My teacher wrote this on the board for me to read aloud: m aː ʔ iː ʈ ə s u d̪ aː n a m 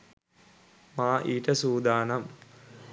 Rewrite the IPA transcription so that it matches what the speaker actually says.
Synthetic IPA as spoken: m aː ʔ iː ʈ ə s uː d̪ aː n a m